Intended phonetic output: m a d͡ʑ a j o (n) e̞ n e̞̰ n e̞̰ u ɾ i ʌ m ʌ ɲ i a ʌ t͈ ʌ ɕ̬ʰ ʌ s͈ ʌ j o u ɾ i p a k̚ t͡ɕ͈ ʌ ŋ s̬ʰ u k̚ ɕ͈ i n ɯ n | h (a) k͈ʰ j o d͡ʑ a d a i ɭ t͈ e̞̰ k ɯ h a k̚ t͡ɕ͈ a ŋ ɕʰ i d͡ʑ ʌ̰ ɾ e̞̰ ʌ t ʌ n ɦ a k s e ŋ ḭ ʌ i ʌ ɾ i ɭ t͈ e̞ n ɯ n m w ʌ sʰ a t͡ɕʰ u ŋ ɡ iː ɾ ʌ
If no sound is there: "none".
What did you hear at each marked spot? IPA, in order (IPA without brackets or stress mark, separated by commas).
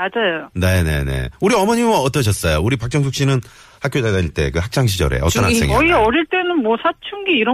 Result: n, a